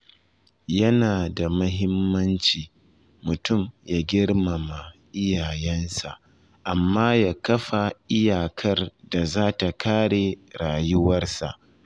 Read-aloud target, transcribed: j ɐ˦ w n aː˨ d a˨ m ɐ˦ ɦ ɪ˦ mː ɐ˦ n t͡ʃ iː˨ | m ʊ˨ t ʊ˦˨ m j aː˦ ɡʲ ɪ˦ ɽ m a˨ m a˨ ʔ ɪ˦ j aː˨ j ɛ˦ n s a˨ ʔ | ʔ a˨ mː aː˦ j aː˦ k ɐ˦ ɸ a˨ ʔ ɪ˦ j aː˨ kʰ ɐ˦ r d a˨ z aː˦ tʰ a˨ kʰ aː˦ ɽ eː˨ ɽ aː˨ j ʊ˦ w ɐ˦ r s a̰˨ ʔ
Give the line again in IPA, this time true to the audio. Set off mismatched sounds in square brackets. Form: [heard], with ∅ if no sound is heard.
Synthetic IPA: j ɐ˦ [∅] n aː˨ d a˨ m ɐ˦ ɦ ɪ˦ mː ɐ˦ n t͡ʃ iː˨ | m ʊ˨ t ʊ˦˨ m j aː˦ ɡʲ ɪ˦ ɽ m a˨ m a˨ ʔ ɪ˦ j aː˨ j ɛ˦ n s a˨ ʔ | ʔ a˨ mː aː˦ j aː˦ k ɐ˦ ɸ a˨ ʔ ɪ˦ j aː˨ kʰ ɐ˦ r d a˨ z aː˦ [t] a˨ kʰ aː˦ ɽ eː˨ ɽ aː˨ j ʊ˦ w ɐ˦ r s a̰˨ ʔ